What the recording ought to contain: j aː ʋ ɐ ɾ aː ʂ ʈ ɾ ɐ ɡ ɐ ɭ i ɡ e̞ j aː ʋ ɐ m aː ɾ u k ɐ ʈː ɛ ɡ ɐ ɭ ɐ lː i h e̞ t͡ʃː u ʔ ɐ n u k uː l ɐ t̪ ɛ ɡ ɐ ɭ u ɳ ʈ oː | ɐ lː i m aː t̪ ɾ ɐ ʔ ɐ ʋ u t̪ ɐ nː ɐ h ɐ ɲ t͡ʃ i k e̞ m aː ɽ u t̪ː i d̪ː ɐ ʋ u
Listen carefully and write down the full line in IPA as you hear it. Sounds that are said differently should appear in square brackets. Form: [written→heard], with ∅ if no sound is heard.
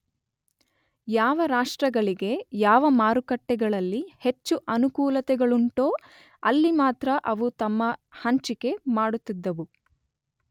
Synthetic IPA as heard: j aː ʋ ɐ ɾ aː ʂ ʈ ɾ ɐ ɡ ɐ ɭ i ɡ e̞ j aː ʋ ɐ m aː ɾ u k ɐ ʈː ɛ ɡ ɐ ɭ ɐ lː i h e̞ t͡ʃː u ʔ ɐ n u k uː l ɐ t̪ ɛ ɡ ɐ ɭ u ɳ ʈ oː | ɐ lː i m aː t̪ ɾ ɐ ʔ ɐ ʋ u t̪ ɐ [nː→mː] ɐ h ɐ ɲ t͡ʃ i k e̞ m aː ɽ u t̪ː i d̪ː ɐ ʋ u